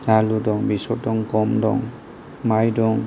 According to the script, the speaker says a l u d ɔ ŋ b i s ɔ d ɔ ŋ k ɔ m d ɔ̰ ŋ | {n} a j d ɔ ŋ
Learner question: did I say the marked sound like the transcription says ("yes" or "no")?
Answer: no